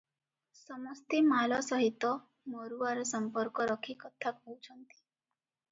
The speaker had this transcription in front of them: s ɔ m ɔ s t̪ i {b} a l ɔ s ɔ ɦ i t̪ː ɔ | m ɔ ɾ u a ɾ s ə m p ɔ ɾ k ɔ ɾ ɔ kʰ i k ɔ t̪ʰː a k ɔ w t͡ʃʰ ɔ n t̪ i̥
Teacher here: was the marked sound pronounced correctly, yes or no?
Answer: no